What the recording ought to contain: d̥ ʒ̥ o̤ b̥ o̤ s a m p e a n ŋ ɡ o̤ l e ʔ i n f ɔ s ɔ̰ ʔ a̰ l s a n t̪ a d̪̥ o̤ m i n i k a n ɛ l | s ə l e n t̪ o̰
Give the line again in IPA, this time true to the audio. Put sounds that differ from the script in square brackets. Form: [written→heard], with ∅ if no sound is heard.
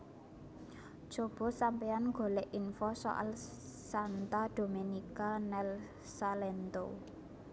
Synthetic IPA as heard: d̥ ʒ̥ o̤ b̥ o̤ s a m p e a n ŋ ɡ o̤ l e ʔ i n f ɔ s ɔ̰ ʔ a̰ l s a n t̪ a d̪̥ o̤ m [i→e] n i k a n ɛ l | s [ə→a] l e n t̪ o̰